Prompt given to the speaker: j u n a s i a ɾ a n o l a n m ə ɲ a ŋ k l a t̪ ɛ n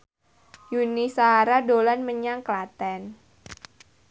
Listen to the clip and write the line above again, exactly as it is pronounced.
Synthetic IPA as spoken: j u n i s a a ɾ a d o l a n m ə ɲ a ŋ k l a t̪ ɛ n

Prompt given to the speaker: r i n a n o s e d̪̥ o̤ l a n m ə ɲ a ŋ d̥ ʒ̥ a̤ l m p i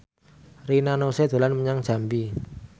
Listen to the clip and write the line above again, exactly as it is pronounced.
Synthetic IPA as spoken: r i n a n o s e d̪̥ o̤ l a n m ə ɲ a ŋ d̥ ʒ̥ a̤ m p i

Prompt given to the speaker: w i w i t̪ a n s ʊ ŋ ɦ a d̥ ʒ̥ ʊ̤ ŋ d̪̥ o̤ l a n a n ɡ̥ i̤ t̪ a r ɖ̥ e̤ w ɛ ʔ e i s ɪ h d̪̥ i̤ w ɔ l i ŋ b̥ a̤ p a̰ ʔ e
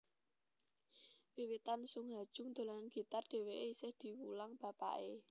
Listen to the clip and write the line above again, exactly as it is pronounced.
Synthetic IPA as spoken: w i w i t̪ a n s ʊ ŋ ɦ a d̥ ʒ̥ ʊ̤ ŋ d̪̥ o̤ l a n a n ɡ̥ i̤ t̪ a r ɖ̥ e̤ w e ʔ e i s ɪ h d̪̥ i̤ w u l a ŋ b̥ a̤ p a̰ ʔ e

